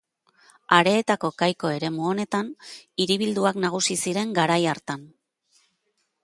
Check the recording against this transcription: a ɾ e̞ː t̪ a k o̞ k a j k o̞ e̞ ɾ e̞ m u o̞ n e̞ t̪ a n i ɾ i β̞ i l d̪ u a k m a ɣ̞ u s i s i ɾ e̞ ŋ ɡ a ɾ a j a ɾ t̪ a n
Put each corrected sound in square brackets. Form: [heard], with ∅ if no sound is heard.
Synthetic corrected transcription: a ɾ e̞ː t̪ a k o̞ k a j k o̞ e̞ ɾ e̞ m u o̞ n e̞ t̪ a n i ɾ i β̞ i l d̪ u a k [n] a ɣ̞ u s i s i ɾ e̞ ŋ ɡ a ɾ a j a ɾ t̪ a n